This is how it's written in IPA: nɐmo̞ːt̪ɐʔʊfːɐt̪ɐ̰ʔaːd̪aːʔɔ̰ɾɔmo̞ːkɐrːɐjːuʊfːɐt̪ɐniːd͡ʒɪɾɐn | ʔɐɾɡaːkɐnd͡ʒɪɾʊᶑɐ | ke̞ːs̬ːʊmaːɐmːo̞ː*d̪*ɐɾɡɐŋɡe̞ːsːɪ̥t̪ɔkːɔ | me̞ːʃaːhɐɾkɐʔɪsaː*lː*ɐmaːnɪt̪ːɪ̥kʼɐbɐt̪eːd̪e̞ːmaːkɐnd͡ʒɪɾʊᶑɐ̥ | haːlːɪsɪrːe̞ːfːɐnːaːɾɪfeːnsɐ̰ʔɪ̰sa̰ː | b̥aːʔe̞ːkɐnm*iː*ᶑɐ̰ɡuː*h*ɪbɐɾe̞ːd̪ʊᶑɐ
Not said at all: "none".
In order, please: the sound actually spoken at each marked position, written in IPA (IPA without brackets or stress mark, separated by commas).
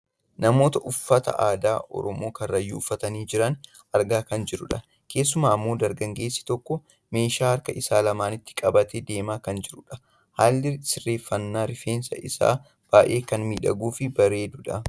d̪, l, iː, f